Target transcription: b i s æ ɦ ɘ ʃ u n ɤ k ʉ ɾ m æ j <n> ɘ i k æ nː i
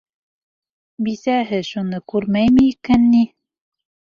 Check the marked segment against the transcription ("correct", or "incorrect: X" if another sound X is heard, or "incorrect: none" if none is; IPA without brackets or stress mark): incorrect: m